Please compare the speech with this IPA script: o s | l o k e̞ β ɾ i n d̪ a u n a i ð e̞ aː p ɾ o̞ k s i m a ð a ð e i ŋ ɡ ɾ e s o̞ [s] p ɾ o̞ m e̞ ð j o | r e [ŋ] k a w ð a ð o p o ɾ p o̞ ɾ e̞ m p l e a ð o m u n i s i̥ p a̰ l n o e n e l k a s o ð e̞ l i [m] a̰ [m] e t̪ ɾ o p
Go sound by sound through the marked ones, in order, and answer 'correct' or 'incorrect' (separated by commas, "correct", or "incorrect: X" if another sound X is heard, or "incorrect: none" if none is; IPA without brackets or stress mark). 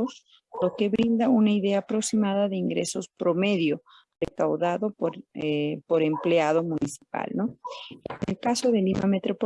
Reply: correct, incorrect: none, correct, correct